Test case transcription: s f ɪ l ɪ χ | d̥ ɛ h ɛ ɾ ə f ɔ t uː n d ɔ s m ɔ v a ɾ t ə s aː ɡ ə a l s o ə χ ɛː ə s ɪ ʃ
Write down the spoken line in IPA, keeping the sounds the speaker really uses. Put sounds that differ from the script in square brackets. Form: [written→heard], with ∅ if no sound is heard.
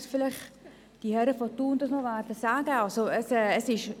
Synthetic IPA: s f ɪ l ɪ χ | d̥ [ɛ→i] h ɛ ɾ ə f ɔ t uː n d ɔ s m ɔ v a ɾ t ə s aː ɡ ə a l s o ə [χ→s] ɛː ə s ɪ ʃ